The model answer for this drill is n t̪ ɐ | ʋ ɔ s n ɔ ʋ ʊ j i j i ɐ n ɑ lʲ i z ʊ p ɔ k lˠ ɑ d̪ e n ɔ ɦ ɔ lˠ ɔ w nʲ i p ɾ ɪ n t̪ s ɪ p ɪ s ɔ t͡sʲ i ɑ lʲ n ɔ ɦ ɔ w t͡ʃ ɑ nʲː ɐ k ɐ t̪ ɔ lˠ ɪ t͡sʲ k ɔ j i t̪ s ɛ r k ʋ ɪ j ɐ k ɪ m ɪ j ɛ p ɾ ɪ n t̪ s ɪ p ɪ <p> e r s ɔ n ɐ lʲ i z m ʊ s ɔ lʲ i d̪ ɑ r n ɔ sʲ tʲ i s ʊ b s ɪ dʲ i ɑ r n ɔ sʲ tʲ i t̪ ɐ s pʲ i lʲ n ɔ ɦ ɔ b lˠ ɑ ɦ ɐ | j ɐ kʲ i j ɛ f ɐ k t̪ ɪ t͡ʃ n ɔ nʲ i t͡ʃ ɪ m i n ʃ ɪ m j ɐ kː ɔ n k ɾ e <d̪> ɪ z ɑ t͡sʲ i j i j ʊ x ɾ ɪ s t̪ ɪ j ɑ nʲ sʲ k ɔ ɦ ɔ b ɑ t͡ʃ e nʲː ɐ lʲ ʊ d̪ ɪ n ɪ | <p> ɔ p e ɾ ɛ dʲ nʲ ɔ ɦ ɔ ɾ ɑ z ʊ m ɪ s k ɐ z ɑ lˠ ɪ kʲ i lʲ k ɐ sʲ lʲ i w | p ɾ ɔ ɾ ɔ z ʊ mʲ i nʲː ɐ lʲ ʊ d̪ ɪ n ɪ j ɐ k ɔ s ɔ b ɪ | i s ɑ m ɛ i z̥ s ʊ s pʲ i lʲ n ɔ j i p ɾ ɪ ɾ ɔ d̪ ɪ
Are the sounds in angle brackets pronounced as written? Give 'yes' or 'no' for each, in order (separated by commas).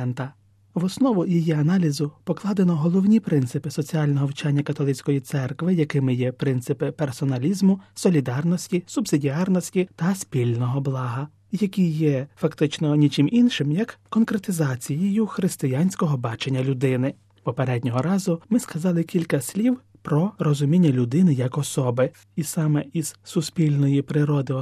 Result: yes, no, yes